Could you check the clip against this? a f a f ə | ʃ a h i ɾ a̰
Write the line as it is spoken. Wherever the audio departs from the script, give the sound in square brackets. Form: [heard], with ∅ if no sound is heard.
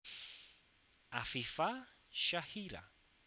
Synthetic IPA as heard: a f [i] f [a] | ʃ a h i ɾ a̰